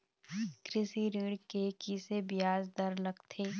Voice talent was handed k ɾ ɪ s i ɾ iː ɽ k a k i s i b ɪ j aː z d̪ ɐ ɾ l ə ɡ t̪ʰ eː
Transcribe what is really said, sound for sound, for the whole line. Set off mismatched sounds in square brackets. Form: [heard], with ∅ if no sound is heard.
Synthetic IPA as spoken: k ɾ ɪ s i ɾ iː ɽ k [e] k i s [e] b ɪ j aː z d̪ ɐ ɾ l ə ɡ t̪ʰ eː